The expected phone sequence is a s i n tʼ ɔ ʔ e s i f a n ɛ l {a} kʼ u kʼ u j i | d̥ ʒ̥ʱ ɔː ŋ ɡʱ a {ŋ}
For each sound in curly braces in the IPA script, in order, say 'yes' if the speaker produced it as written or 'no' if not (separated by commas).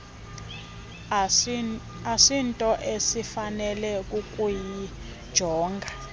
no, no